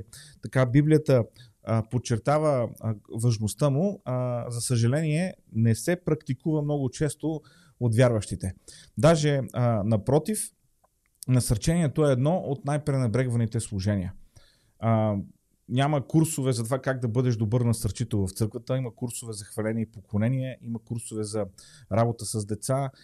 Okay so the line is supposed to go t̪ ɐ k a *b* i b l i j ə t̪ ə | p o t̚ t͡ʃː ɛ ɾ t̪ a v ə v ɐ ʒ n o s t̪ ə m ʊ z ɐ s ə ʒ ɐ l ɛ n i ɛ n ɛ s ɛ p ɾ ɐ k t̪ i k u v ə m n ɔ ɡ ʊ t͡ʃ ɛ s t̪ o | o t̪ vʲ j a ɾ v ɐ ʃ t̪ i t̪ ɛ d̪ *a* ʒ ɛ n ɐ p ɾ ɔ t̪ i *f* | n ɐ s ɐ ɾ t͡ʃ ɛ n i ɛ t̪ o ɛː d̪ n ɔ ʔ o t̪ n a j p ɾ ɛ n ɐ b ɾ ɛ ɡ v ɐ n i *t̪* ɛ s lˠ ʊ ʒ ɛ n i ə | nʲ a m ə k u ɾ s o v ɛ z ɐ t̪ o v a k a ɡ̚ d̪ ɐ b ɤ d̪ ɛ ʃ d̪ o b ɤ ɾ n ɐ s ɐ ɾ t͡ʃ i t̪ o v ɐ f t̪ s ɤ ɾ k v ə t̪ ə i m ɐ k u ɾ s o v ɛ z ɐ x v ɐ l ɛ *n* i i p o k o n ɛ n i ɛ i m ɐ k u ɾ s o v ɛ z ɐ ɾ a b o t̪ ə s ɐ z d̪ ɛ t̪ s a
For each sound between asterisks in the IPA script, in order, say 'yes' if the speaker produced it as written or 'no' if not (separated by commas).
yes, yes, yes, yes, yes